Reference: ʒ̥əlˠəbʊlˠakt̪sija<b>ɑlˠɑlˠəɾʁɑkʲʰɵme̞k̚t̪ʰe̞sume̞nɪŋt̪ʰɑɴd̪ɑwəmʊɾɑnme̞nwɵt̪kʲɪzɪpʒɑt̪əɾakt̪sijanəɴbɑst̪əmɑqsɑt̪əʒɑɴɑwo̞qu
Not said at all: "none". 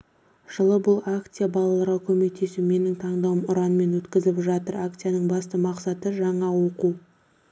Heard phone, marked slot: b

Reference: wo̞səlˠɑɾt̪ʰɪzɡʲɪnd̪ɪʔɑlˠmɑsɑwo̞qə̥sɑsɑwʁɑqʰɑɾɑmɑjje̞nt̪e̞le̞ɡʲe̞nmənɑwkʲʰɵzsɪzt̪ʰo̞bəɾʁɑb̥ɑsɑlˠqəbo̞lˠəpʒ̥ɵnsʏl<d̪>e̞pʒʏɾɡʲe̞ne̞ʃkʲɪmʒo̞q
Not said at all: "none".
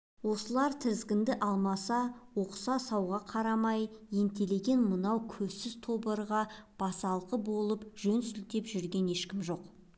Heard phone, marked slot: t̪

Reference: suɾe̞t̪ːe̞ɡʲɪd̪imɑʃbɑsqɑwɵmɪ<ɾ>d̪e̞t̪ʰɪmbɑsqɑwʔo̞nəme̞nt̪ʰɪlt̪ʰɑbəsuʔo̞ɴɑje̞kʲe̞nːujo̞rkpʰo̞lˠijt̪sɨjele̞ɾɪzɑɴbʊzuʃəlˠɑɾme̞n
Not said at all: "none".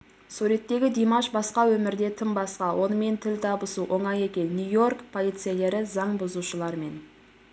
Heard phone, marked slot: ɾ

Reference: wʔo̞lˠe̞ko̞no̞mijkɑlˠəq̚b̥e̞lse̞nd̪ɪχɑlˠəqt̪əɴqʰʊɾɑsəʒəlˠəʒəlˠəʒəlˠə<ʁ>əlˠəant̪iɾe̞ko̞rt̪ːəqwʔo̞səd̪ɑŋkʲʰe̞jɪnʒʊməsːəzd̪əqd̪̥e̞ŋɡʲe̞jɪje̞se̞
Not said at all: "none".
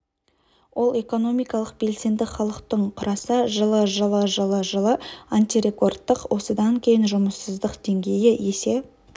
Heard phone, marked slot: ʒ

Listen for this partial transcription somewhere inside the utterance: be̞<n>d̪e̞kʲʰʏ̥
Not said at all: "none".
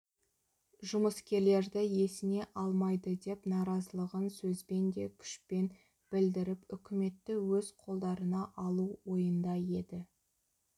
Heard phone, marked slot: n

